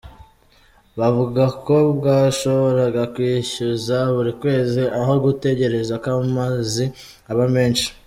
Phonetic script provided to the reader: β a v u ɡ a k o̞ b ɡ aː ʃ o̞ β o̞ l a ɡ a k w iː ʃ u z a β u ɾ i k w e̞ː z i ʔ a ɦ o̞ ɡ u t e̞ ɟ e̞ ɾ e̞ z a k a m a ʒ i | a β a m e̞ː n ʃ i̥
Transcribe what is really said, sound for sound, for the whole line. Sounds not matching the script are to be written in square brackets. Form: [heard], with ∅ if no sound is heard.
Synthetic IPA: β a v u ɡ a k o̞ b ɡ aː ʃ o̞ β o̞ [ɾ] a ɡ a k w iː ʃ u z a β u ɾ i k w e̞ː z i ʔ a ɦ o̞ ɡ u t e̞ ɟ e̞ ɾ e̞ z a k a m a [z] i | a β a m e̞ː n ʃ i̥